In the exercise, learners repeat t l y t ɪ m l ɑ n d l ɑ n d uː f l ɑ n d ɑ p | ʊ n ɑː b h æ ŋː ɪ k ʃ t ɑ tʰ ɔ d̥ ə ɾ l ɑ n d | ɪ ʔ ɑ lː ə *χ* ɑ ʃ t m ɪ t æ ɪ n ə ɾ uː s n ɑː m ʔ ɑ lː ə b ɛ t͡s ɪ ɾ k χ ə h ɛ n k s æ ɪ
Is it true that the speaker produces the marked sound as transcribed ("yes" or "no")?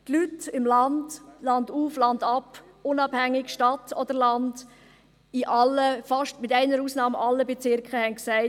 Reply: no